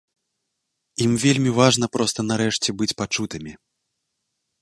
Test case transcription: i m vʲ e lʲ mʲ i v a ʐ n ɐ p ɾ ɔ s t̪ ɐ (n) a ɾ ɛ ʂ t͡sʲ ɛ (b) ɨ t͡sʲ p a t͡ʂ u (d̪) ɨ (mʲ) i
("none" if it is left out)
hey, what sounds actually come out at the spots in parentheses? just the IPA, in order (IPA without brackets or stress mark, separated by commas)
n, b, t̪, mʲ